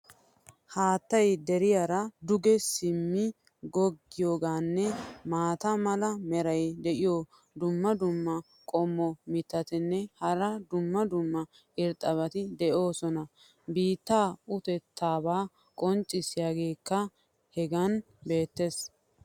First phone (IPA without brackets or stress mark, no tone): h